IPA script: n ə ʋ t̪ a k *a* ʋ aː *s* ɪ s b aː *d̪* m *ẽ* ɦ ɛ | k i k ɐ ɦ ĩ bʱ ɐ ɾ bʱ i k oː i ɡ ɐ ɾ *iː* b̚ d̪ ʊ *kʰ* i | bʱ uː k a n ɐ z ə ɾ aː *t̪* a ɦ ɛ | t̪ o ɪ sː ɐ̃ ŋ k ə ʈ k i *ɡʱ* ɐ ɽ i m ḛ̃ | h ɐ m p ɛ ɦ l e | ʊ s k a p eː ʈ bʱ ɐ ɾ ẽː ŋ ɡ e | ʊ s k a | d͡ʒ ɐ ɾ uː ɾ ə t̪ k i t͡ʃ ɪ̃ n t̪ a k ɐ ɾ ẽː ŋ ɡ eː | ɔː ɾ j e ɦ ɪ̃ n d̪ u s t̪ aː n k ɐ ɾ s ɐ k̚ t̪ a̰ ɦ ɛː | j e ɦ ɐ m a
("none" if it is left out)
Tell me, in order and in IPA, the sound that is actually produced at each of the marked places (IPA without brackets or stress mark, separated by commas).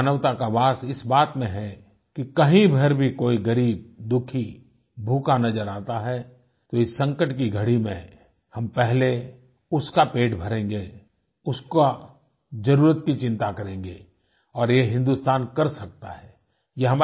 a, s, t̪, ẽ, iː, kʰ, t̪, ɡʱ